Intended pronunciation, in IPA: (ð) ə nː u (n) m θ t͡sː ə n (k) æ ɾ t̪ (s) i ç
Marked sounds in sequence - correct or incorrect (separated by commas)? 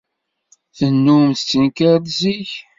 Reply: incorrect, incorrect, correct, incorrect